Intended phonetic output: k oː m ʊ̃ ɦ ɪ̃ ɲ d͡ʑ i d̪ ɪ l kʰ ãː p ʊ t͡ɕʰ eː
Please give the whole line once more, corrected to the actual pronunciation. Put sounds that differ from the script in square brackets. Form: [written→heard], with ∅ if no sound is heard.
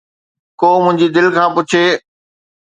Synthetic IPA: k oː m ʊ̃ ɦ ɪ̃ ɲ d͡ʑ i d̪ ɪ l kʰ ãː p ʊ t͡ɕʰ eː